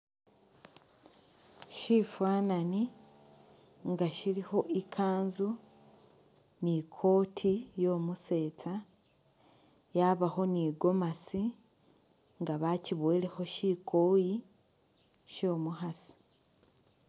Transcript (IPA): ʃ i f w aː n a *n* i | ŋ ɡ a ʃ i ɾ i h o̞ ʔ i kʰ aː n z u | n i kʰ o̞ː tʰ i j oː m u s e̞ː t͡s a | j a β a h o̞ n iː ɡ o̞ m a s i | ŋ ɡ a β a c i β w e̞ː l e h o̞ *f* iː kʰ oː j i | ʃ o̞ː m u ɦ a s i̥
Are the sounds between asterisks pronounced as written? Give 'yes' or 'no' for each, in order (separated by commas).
yes, no